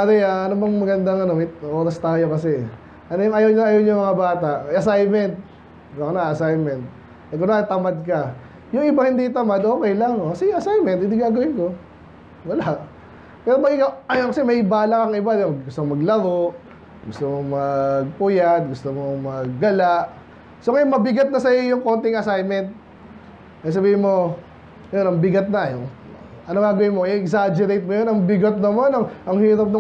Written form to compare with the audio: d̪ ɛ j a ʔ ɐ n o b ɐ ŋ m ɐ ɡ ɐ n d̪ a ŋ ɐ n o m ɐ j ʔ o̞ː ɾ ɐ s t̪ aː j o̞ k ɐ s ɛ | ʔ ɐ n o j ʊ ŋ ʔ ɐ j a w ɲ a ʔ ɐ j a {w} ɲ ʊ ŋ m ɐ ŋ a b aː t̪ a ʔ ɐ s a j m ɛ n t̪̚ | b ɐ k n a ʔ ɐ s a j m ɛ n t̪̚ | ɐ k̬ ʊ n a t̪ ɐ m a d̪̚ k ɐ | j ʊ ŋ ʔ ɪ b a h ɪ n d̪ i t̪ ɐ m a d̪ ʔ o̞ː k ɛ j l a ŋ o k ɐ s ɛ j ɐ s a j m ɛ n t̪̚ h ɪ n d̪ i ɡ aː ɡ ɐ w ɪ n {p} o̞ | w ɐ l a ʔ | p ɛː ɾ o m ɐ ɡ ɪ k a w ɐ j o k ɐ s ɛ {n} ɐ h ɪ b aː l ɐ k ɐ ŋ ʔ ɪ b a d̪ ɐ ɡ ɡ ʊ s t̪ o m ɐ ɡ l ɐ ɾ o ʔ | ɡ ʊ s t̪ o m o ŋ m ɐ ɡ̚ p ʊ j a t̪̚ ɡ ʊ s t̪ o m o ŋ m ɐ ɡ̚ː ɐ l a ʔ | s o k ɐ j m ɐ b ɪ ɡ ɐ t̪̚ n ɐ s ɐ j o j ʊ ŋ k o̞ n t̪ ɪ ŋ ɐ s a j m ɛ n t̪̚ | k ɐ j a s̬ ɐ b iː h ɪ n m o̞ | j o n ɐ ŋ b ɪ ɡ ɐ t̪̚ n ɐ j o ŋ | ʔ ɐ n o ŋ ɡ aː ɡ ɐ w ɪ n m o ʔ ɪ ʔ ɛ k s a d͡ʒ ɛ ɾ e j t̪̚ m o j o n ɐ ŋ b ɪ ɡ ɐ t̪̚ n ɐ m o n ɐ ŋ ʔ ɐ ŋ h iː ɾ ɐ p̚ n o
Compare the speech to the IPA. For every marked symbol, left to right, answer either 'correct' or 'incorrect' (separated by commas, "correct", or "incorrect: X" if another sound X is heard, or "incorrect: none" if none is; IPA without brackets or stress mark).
correct, incorrect: k, incorrect: m